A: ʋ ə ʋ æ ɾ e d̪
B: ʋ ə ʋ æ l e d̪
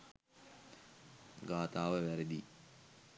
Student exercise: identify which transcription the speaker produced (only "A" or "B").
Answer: A